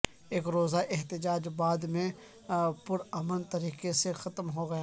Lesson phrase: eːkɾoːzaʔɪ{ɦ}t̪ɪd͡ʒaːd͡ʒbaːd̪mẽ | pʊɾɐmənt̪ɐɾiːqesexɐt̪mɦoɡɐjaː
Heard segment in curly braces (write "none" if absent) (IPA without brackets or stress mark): ɦ